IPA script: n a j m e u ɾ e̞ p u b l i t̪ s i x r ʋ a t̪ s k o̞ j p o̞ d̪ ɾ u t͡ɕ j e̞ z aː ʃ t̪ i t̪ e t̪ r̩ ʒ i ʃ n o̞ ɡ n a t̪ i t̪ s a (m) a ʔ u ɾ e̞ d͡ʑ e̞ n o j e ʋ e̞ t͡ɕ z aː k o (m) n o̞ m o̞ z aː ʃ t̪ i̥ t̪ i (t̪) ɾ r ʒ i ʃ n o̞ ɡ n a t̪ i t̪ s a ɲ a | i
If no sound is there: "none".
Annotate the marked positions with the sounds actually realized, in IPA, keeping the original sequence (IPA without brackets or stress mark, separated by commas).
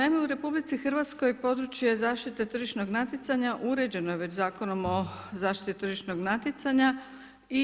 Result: ɲ, none, t̪